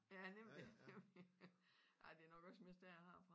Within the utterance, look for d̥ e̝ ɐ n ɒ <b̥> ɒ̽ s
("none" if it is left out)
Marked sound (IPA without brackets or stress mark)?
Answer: ɡ̥